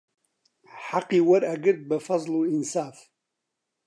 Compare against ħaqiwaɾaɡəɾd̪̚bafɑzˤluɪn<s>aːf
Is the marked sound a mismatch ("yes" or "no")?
no